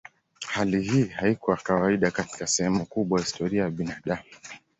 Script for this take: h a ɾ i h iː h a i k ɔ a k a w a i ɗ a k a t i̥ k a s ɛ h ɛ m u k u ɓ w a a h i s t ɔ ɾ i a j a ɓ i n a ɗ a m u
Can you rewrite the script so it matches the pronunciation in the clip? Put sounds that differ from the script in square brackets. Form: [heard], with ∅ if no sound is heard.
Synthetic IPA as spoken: h a [l] i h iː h a i k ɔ a k a w a i ɗ a k a t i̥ k a s ɛ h ɛ m u k u ɓ w a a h i s t ɔ ɾ i a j a ɓ i n a ɗ a m u